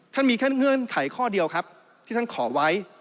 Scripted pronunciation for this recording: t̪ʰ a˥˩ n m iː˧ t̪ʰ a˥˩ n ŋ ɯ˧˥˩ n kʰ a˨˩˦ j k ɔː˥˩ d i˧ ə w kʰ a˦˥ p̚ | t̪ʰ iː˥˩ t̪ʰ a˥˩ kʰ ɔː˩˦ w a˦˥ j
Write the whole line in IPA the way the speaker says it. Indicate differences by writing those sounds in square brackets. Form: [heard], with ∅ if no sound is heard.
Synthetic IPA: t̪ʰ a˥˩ n m iː˧ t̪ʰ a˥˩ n ŋ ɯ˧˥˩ n kʰ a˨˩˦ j [kʰ] ɔː˥˩ d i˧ ə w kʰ a˦˥ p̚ | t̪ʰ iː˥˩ t̪ʰ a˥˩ kʰ ɔː˩˦ w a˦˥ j